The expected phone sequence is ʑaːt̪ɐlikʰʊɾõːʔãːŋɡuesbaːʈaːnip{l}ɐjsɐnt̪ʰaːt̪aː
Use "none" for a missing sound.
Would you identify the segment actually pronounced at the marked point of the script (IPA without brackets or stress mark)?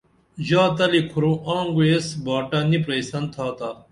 ɾ